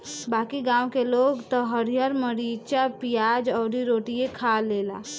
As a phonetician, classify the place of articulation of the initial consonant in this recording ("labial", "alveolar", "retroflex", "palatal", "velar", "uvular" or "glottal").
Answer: labial